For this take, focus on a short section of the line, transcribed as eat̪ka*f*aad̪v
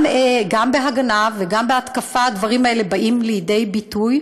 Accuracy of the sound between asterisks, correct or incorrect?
correct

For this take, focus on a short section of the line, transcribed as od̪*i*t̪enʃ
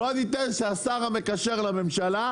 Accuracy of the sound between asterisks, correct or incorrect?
correct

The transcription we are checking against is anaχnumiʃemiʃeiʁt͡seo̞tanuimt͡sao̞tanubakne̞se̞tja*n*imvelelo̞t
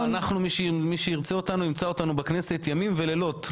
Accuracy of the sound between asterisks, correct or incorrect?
incorrect: m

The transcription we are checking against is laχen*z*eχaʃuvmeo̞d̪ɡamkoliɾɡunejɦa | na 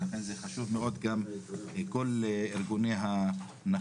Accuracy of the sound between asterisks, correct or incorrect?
correct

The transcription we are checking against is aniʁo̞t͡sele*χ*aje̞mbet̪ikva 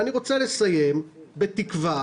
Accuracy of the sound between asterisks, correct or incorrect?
incorrect: s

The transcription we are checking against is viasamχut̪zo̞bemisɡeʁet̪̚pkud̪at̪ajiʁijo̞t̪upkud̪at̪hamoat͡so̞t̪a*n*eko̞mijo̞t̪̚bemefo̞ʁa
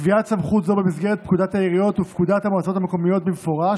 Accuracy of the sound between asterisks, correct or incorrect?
incorrect: m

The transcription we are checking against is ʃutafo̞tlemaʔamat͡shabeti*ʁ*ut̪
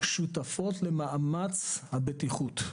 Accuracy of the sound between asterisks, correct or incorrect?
incorrect: χ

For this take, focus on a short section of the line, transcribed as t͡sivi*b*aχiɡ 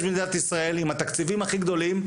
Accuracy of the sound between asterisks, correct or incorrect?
incorrect: m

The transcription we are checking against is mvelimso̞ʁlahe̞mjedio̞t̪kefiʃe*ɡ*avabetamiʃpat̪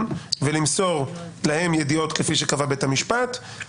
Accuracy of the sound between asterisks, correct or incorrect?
incorrect: k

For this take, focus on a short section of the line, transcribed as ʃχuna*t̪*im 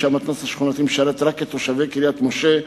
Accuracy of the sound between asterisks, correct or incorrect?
correct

